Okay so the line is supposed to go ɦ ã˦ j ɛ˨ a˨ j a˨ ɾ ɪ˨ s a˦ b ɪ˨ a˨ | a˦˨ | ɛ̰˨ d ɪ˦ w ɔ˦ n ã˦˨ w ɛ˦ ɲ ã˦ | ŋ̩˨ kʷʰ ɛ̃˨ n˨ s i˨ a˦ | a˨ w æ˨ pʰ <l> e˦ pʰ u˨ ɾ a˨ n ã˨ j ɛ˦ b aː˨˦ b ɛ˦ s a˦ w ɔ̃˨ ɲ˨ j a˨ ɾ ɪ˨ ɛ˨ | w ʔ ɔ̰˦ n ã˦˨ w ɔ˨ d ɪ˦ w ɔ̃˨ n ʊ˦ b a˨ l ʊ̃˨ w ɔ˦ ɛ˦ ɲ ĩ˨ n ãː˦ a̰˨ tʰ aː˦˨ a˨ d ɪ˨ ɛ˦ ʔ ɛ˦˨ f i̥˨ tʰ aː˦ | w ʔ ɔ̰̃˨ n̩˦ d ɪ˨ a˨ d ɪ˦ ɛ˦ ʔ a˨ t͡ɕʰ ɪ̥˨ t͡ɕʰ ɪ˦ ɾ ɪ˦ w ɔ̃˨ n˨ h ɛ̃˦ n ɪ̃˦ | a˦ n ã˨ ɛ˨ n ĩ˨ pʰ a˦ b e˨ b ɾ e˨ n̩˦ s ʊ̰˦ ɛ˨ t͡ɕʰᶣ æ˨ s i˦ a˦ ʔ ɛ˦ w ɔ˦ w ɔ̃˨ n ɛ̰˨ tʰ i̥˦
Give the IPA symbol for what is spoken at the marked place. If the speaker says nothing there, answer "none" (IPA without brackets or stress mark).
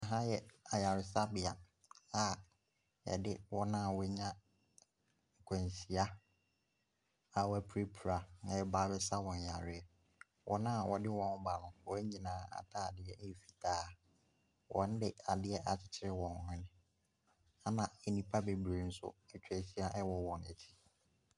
ɾ